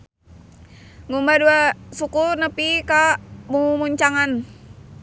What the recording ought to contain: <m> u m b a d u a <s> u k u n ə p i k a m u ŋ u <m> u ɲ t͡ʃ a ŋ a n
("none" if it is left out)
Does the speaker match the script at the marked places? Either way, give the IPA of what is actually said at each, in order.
ŋ, s, m

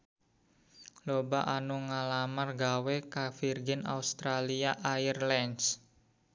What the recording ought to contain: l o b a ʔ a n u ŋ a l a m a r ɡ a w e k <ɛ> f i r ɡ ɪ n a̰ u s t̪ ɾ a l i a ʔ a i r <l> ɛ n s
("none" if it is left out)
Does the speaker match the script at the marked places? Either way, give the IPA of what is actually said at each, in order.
a, l

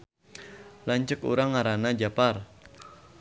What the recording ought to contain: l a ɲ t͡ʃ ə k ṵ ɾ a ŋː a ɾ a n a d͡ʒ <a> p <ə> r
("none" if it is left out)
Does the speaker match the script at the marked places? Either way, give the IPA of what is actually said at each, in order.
a, a

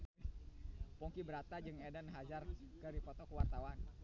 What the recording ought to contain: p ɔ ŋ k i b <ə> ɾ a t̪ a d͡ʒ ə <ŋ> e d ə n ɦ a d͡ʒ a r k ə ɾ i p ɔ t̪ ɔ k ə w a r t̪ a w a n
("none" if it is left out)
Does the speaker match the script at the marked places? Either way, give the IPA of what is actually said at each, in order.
ə, ŋ

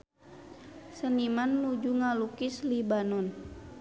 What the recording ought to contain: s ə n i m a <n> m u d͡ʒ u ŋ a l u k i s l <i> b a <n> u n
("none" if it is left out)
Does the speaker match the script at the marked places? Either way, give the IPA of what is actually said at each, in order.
n, i, n

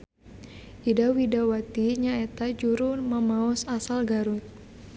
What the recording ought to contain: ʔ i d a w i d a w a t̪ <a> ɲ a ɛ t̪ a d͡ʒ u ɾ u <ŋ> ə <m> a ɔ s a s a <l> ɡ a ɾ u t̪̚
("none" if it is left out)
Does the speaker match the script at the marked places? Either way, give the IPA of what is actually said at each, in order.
i, m, m, l

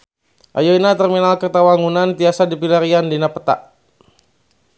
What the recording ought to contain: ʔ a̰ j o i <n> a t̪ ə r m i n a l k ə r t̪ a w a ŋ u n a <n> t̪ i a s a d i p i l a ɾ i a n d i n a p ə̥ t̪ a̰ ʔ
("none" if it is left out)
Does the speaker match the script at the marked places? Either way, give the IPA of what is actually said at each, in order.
n, n

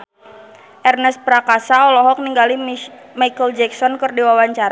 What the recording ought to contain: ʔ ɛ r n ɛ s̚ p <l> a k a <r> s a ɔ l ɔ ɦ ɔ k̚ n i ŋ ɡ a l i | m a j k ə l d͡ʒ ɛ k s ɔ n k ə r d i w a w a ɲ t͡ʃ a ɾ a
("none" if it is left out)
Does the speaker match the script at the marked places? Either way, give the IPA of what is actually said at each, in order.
ɾ, none

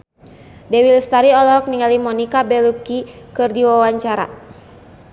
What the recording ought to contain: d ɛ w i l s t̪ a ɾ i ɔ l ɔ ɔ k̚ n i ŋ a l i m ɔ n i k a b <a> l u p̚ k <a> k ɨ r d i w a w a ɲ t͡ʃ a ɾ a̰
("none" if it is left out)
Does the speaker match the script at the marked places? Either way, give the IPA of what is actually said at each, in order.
ɛ, i

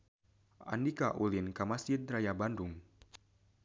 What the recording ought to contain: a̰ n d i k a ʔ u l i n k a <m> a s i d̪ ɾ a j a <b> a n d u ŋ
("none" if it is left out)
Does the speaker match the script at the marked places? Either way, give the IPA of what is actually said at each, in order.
m, b

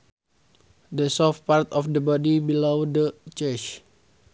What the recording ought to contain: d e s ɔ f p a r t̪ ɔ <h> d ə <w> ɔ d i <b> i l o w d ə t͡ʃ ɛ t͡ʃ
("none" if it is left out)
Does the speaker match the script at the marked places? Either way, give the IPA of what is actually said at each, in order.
f, b, b

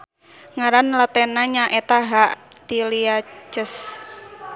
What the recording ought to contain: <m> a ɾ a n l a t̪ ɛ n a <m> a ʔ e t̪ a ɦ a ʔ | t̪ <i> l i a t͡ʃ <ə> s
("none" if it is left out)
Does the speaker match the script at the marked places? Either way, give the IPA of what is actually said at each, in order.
ŋ, ɲ, i, ə

